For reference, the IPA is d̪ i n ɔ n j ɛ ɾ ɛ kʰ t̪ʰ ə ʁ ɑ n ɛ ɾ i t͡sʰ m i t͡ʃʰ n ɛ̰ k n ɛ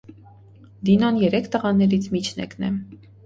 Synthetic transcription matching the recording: d̪ i n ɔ n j ɛ ɾ ɛ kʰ t̪ ə ʁ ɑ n ɛ ɾ i t͡sʰ m i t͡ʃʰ n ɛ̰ k n ɛ